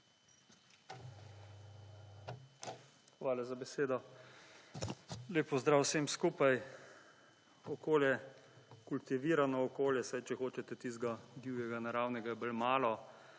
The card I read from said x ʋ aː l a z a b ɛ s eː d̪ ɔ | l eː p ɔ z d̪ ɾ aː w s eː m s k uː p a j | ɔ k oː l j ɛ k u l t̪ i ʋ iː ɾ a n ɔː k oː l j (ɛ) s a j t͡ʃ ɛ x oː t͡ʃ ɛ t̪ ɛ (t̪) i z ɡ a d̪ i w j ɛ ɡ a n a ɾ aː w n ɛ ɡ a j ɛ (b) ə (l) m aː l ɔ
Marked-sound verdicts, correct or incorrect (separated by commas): correct, correct, correct, correct